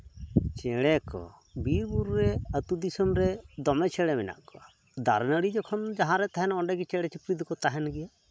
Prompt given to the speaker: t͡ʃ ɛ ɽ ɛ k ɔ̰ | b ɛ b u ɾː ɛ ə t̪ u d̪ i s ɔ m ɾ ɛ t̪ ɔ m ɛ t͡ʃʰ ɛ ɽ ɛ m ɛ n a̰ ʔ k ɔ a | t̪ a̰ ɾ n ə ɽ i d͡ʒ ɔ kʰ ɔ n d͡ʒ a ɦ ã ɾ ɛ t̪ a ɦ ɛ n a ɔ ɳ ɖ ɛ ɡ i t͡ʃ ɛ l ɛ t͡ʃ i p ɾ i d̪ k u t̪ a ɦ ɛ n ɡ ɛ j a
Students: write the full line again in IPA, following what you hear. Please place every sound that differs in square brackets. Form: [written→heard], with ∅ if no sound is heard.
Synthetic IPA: t͡ʃ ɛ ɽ ɛ k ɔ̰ | b [ɛ→i] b u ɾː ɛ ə t̪ u d̪ i s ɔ m ɾ ɛ [t̪→d̪] ɔ m ɛ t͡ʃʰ ɛ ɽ ɛ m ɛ n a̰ ʔ k ɔ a | [t̪→d̪] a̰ ɾ n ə ɽ i d͡ʒ ɔ kʰ ɔ n d͡ʒ a ɦ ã ɾ ɛ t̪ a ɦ ɛ n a ɔ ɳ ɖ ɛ ɡ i t͡ʃ ɛ [l→ɽ] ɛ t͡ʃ i p ɾ i d̪ k [u→ɔ] t̪ a ɦ ɛ n ɡ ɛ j a